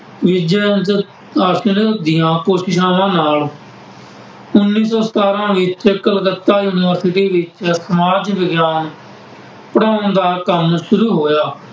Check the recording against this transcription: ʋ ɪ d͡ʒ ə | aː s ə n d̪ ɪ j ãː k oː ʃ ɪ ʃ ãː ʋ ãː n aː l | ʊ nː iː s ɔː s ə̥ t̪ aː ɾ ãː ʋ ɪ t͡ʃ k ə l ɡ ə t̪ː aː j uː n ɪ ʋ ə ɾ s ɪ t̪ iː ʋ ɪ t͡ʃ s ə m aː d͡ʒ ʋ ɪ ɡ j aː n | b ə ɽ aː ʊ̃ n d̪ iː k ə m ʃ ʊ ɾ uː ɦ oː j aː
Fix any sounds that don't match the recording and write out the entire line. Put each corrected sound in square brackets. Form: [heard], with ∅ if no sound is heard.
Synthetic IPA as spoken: ʋ ɪ d͡ʒ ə | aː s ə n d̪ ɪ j ãː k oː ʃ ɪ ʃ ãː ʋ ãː n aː l | ʊ nː iː s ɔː s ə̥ t̪ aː ɾ ãː ʋ ɪ t͡ʃ k ə l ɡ ə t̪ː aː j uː n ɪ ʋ ə ɾ s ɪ t̪ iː ʋ ɪ t͡ʃ s ə m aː d͡ʒ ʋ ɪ ɡ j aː n | [p] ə ɽ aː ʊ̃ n d̪ [aː] k ə m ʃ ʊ ɾ uː ɦ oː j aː